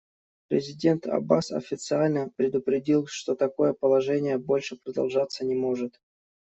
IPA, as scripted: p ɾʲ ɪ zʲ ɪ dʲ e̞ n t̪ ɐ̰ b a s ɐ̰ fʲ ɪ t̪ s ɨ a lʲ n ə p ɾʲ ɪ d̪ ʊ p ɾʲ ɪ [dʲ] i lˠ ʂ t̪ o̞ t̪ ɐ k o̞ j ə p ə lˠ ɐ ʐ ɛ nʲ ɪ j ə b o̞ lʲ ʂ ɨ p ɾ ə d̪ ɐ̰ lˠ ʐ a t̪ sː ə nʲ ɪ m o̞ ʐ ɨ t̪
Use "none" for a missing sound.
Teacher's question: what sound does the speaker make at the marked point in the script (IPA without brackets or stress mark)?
dʲ